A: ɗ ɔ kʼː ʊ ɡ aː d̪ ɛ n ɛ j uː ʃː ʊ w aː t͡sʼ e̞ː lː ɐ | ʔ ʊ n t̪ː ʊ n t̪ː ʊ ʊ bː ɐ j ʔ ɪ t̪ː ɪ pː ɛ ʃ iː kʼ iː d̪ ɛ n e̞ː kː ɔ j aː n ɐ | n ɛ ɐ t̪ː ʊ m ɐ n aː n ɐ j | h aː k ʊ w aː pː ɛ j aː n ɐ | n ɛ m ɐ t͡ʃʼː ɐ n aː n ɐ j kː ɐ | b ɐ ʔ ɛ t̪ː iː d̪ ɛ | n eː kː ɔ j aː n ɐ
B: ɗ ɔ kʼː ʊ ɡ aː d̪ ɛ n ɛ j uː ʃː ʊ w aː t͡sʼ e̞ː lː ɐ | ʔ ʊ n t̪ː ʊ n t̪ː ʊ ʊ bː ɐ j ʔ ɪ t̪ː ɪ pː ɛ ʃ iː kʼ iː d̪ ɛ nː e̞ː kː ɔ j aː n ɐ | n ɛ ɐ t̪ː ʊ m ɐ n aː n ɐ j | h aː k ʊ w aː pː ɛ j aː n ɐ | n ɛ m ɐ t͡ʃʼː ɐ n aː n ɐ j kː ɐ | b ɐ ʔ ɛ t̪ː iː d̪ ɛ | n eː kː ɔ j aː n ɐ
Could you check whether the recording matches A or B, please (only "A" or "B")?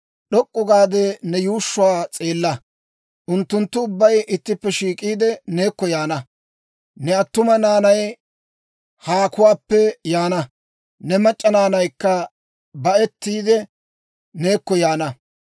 A